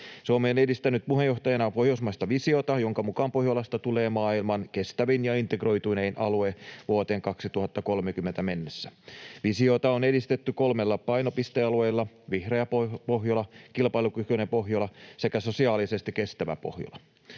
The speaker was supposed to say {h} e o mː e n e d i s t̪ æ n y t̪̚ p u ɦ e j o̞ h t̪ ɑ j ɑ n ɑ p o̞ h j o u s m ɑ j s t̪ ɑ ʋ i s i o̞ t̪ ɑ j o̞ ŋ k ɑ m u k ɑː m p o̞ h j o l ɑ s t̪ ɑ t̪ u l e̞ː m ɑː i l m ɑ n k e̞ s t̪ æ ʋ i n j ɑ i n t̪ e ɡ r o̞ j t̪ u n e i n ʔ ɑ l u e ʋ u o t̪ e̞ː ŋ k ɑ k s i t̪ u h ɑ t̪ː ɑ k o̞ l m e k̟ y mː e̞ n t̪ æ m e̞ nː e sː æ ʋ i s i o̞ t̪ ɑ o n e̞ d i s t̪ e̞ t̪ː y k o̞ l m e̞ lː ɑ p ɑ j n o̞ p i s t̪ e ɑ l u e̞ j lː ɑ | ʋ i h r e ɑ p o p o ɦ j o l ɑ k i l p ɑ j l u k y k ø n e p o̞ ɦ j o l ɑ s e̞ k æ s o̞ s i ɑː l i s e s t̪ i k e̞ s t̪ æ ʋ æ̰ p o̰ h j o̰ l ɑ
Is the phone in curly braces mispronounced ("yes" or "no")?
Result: yes